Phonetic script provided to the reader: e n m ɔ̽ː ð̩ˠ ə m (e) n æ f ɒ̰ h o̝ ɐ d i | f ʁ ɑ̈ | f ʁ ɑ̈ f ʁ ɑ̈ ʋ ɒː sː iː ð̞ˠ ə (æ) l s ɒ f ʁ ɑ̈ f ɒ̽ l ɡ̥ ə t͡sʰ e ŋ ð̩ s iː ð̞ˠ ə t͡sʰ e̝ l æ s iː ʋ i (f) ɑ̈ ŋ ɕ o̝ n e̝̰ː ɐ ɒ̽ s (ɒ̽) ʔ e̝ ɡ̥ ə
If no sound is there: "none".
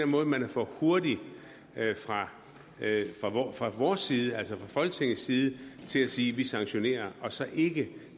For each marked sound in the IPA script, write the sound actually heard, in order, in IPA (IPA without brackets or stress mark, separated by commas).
æ, æ, s, ɒ̽